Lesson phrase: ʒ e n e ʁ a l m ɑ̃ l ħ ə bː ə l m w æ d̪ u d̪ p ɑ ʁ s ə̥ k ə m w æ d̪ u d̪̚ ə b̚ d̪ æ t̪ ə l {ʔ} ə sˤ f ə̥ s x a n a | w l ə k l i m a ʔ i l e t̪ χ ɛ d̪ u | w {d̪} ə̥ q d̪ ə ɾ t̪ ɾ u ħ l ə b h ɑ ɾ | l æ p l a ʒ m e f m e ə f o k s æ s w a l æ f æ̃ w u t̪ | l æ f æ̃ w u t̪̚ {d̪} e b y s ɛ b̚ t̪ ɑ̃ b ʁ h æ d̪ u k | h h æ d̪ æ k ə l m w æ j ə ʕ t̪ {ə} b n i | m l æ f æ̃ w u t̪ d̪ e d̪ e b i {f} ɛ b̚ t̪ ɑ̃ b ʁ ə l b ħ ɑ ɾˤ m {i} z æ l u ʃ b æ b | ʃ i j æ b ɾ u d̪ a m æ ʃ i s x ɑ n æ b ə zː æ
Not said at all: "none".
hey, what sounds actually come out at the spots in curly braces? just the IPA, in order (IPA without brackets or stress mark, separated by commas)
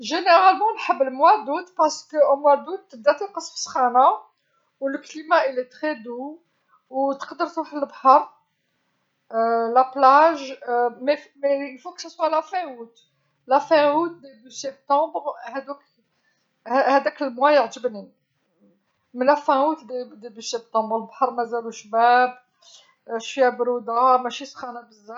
q, t̪, d̪, ə, s, æ